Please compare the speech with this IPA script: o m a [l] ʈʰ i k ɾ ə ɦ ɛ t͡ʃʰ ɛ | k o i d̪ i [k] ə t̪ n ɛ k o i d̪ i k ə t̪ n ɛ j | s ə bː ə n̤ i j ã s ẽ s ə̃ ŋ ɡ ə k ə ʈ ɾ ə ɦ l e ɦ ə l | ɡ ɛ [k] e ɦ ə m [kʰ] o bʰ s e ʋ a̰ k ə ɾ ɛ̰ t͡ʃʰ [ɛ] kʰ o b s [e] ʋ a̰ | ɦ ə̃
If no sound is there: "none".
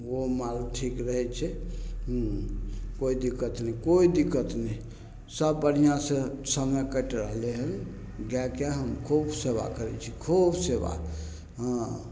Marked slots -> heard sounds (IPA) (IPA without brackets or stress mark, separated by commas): l, k, k, kʰ, i, e